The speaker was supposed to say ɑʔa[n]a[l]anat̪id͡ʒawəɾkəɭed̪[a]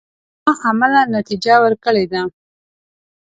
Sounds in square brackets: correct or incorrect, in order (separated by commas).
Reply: incorrect, correct, correct